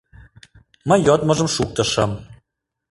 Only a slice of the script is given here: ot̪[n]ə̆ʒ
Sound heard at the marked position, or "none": m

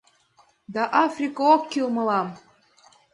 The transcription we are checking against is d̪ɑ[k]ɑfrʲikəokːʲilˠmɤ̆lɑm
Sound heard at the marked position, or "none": ʔ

